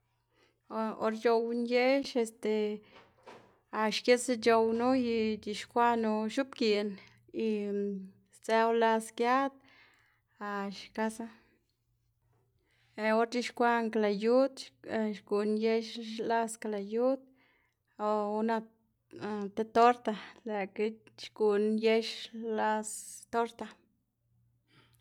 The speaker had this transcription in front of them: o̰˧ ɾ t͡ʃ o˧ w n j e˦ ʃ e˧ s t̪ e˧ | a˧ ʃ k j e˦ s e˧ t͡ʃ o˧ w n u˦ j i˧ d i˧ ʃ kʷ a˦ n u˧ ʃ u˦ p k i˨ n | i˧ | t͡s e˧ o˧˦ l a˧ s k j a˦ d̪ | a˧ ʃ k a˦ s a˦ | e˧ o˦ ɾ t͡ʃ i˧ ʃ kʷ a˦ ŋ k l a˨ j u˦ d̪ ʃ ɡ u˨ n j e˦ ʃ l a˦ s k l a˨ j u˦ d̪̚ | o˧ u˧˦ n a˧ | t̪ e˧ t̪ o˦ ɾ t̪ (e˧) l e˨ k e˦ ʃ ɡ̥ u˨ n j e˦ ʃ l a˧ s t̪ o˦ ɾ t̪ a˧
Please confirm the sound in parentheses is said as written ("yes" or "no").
no